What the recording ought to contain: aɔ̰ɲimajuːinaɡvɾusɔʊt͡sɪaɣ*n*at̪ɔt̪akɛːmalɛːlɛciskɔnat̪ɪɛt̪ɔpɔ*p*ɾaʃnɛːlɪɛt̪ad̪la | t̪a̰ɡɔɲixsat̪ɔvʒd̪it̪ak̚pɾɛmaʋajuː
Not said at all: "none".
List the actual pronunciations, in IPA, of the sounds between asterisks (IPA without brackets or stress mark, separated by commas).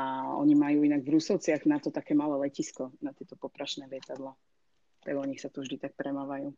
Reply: n, p